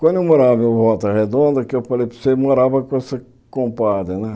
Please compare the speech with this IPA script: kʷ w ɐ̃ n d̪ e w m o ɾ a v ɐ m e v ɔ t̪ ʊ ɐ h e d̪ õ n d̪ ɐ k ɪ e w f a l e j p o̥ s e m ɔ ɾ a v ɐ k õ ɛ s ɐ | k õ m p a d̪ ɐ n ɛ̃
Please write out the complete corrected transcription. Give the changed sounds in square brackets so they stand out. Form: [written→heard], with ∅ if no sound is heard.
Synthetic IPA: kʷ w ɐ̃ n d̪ e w m o ɾ a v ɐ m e v ɔ t̪ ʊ ɐ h e d̪ õ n d̪ ɐ k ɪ e w f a l e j p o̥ s e m [ɔ→o] ɾ a v ɐ k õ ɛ s ɐ | k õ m p a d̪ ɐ n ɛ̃